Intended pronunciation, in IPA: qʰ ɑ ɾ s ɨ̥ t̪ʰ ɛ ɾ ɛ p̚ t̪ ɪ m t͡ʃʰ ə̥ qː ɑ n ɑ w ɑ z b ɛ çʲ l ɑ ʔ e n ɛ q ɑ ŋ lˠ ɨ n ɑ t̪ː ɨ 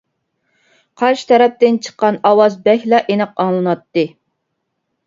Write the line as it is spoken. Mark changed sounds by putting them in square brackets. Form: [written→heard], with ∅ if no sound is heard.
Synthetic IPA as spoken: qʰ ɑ ɾ [s→ʃ] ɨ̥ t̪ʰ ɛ ɾ ɛ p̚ t̪ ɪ [m→n] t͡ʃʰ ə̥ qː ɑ n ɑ w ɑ z b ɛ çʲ l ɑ ʔ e n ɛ q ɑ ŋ lˠ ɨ n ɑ t̪ː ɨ